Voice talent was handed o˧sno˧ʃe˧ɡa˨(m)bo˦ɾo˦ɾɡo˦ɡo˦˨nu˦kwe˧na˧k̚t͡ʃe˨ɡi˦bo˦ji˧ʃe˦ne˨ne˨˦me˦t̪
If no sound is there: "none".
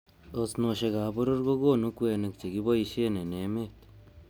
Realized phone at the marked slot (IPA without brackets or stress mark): none